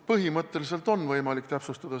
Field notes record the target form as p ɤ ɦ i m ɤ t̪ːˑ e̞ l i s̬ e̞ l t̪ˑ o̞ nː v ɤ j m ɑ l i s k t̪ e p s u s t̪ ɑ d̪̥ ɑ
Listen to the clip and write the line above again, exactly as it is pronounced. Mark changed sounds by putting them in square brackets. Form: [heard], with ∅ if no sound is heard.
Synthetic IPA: p ɤ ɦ i m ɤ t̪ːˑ e̞ l i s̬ e̞ l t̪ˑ o̞ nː v ɤ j m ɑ l i [∅] k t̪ [æ] p s u s t̪ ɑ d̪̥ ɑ